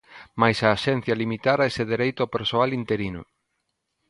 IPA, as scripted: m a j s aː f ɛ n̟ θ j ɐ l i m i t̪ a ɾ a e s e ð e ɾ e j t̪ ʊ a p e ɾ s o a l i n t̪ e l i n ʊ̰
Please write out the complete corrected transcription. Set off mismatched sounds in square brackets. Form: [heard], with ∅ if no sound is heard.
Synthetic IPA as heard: m a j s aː [ʃ] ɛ n̟ θ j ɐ l i m i t̪ a ɾ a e s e ð e ɾ e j t̪ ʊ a p e ɾ s o a l i n t̪ e [ɾ] i n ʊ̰